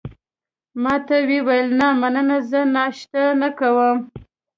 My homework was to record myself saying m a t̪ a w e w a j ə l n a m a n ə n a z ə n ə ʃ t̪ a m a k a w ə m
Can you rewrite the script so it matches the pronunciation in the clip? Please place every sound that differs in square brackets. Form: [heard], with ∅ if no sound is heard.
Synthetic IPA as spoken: m [ɑ] t̪ a w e w a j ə l n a m a n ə n a z ə n [ɑ] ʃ t̪ a [n] a k a w ə m